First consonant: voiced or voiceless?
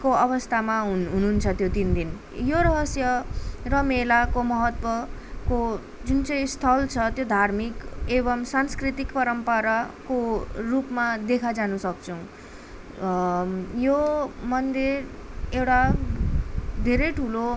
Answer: voiceless